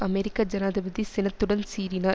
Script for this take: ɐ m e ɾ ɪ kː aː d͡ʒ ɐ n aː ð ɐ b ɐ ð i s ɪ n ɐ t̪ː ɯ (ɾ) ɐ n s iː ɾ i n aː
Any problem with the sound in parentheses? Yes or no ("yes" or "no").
yes